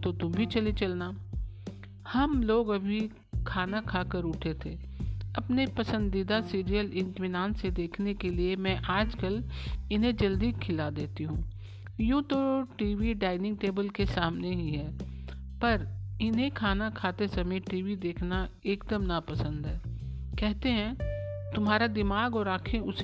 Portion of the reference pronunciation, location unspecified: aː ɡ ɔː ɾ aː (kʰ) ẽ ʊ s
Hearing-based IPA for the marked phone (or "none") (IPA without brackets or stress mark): kʰ